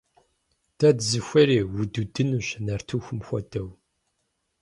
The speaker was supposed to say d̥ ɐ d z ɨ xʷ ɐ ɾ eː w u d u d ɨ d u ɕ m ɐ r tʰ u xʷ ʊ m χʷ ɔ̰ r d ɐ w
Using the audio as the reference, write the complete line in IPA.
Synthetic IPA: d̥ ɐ d z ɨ xʷ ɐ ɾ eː w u d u d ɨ n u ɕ n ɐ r tʰ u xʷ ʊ m xʷ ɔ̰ d ɐ w